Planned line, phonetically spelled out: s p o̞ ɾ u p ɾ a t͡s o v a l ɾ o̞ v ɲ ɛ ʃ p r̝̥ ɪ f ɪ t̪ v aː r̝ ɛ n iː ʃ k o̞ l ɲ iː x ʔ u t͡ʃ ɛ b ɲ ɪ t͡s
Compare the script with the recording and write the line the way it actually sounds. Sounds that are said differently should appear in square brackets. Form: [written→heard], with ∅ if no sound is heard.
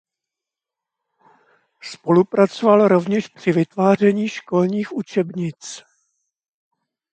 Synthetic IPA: s p o̞ [ɾ→l] u p ɾ a t͡s o v a l ɾ o̞ v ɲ ɛ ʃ p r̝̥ ɪ [f→v] ɪ t̪ v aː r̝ ɛ [n→ɲ] iː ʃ k o̞ l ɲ iː x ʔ u t͡ʃ ɛ b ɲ ɪ t͡s

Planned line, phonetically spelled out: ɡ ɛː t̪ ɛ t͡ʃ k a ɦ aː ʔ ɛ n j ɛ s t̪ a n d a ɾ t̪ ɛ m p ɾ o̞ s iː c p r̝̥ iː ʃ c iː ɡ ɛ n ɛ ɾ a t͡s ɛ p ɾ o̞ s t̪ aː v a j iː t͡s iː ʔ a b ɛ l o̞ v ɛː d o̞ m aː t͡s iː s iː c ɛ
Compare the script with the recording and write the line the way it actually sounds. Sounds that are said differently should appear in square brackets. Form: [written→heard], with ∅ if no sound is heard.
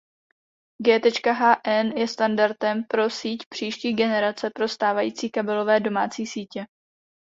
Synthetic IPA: ɡ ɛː t̪ ɛ t͡ʃ k a ɦ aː ʔ ɛ n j ɛ s t̪ a n d a ɾ t̪ ɛ m p ɾ o̞ s iː c p r̝̥ iː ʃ c iː ɡ ɛ n ɛ ɾ a t͡s ɛ p ɾ o̞ s t̪ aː v a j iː t͡s iː [ʔ→k] a b ɛ l o̞ v ɛː d o̞ m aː t͡s iː s iː c ɛ

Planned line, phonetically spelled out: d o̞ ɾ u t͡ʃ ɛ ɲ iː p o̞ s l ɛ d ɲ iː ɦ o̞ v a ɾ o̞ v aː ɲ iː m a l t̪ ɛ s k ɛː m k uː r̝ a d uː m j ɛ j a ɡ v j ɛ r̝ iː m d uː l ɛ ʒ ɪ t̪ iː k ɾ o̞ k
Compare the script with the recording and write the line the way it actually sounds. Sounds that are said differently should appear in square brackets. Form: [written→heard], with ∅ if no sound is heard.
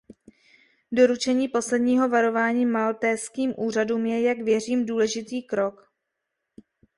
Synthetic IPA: d o̞ ɾ u t͡ʃ ɛ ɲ iː p o̞ s l ɛ d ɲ iː ɦ o̞ v a ɾ o̞ v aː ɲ iː m a l t̪ ɛ s k [ɛː→iː] m [k→ʔ] uː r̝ a d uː m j ɛ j a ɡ v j ɛ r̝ iː m d uː l ɛ ʒ ɪ t̪ iː k ɾ o̞ k

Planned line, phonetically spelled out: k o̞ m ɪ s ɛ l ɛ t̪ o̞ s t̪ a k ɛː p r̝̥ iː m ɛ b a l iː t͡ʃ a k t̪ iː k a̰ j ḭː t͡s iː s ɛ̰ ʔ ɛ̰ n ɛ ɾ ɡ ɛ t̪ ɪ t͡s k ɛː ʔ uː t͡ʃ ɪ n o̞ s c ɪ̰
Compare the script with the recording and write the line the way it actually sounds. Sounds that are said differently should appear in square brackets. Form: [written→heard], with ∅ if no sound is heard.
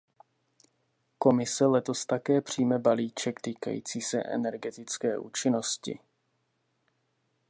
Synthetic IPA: k o̞ m ɪ s ɛ l ɛ t̪ o̞ s t̪ a k ɛː p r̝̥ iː m ɛ b a l iː t͡ʃ [a→ɛ] k t̪ iː k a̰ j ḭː t͡s iː s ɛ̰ ʔ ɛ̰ n ɛ ɾ ɡ ɛ t̪ ɪ t͡s k ɛː ʔ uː t͡ʃ ɪ n o̞ s c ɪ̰

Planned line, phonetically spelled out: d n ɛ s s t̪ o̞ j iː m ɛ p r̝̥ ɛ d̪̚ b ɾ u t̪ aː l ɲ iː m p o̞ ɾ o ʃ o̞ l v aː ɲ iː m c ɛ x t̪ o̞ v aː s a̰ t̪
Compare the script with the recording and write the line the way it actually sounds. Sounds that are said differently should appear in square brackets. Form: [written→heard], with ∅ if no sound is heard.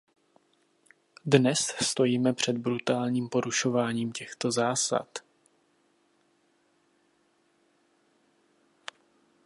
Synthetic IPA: d n ɛ s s t̪ o̞ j iː m ɛ p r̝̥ ɛ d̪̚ b ɾ u t̪ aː l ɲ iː m p o̞ ɾ [o→u] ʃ o̞ [l→∅] v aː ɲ iː m c ɛ x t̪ o̞ [v→z] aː s a̰ t̪

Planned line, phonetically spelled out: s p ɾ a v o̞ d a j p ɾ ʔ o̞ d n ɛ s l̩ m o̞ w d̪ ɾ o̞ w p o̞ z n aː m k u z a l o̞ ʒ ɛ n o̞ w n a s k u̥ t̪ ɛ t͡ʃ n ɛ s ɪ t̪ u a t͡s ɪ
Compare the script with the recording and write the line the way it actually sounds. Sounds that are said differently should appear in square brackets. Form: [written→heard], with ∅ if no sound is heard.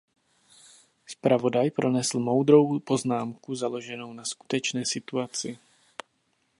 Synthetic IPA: s p ɾ a v o̞ d a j p ɾ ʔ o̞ [d→∅] n ɛ s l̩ m o̞ w d̪ ɾ o̞ w p o̞ z n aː m k u z a l o̞ ʒ ɛ n o̞ w n a s k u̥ t̪ ɛ t͡ʃ n [ɛ→ɛː] s ɪ t̪ u a t͡s ɪ

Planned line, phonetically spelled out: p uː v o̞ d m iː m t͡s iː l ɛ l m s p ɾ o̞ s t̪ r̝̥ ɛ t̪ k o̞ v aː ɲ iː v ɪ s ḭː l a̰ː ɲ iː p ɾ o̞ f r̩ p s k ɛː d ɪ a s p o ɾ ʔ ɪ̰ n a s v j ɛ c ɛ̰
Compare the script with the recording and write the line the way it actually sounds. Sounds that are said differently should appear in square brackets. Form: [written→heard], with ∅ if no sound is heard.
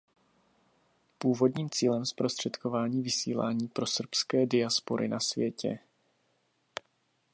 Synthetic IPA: p uː v o̞ d [m→ɲ] iː m t͡s iː l ɛ [l→∅] m s p ɾ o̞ s t̪ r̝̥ ɛ t̪ k o̞ v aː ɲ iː v ɪ s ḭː l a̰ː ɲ iː p ɾ o̞ [f→s] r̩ p s k ɛː d ɪ a s p o ɾ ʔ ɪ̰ n a s v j ɛ c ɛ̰

